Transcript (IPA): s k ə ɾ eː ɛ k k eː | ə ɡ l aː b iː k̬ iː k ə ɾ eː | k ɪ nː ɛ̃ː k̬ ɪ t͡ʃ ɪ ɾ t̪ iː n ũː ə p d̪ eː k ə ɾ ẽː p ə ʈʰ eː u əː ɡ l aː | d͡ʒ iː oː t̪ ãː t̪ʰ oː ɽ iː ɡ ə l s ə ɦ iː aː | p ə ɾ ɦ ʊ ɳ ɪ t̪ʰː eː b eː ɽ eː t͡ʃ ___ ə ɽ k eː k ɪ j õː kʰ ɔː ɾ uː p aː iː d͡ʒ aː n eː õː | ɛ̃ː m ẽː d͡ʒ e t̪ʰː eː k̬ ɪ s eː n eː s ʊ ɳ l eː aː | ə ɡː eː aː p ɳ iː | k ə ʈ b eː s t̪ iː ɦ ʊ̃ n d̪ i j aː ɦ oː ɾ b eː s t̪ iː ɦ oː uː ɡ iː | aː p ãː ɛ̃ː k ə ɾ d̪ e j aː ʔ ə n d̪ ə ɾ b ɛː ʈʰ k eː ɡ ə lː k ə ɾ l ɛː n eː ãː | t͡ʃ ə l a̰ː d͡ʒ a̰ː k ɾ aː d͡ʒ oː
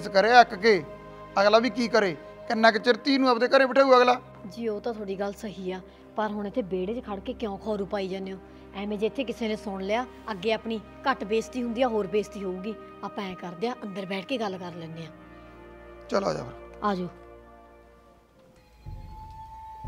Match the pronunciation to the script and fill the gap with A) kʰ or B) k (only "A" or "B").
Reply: A